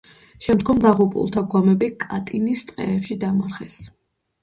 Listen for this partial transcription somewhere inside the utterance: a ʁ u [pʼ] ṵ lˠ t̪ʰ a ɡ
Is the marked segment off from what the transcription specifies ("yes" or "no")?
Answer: no